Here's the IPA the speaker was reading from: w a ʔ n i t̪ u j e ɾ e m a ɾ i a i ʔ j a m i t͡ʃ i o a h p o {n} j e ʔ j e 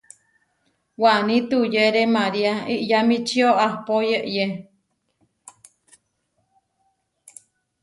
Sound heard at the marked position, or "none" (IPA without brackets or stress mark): none